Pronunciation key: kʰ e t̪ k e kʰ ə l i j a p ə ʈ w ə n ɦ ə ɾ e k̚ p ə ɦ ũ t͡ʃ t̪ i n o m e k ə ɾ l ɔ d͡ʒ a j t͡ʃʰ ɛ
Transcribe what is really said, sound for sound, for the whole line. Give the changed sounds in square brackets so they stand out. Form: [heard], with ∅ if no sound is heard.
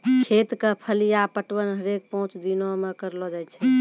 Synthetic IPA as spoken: kʰ e t̪ k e [pʰ] ə l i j a p ə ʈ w ə n ɦ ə ɾ e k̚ p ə ɦ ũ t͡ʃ [d̪] i n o m e k ə ɾ l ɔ d͡ʒ a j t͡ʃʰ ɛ